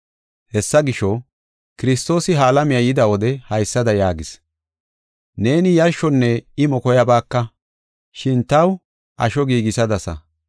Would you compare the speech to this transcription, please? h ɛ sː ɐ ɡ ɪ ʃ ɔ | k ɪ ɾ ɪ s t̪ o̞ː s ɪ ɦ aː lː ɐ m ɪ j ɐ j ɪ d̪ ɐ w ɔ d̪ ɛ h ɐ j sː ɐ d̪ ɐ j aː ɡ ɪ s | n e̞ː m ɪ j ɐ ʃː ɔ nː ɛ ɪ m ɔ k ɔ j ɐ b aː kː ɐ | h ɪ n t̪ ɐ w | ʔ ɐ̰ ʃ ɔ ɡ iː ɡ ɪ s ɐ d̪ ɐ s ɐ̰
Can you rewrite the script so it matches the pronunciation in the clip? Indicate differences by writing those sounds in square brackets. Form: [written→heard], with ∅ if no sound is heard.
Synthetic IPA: h ɛ sː ɐ ɡ ɪ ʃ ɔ | k ɪ ɾ ɪ s t̪ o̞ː s ɪ ɦ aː [lː→l] ɐ m ɪ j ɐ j ɪ d̪ ɐ w ɔ d̪ ɛ h ɐ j sː ɐ d̪ ɐ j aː ɡ ɪ s | n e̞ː [m→n] ɪ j ɐ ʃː ɔ nː ɛ ɪ m ɔ k ɔ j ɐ b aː kː ɐ | [h→ʃ] ɪ n t̪ ɐ w | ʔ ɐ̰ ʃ ɔ ɡ iː ɡ ɪ s ɐ d̪ ɐ s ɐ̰